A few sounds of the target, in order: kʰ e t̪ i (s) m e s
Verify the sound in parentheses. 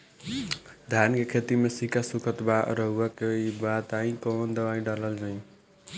incorrect: none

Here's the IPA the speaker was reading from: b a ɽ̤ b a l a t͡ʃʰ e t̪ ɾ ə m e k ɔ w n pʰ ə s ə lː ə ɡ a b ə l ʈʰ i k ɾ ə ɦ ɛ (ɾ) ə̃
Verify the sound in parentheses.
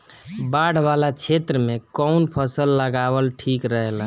incorrect: l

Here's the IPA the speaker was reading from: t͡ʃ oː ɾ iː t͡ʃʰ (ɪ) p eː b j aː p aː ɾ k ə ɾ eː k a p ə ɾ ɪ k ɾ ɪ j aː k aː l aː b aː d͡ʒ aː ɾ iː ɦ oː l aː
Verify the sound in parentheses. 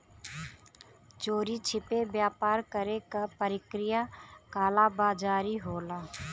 correct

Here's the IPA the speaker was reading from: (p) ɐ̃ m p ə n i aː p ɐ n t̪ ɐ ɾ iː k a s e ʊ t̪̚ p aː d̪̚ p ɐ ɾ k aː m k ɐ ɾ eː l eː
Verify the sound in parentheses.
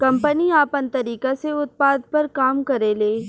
incorrect: k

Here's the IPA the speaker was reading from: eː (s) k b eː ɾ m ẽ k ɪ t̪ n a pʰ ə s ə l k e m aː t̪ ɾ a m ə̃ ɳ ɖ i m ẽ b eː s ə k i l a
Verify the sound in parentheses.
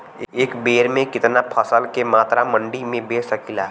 incorrect: none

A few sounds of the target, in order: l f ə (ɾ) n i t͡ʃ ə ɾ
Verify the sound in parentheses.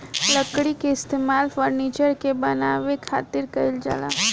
correct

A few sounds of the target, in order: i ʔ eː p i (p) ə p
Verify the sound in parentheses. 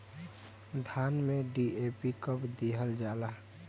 incorrect: k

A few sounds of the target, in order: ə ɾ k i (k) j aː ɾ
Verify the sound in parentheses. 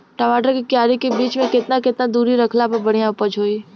correct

